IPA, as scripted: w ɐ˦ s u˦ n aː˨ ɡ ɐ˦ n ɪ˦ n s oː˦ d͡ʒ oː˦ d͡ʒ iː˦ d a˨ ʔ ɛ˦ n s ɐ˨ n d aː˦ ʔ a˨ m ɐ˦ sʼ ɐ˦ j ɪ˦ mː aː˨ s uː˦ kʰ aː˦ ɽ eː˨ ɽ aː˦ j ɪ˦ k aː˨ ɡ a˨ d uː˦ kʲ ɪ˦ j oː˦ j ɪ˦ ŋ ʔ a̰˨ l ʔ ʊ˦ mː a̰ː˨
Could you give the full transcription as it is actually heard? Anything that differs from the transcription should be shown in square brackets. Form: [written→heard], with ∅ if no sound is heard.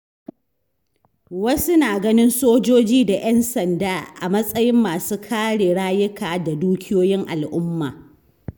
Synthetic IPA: w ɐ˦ s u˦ n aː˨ ɡ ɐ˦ n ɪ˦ n s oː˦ d͡ʒ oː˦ d͡ʒ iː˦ d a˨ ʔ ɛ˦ n s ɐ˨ n d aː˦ ʔ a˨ m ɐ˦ sʼ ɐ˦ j ɪ˦ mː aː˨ s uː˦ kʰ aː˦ ɽ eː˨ ɽ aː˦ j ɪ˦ k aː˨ [ɡ→d] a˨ d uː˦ kʲ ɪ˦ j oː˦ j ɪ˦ ŋ ʔ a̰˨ l ʔ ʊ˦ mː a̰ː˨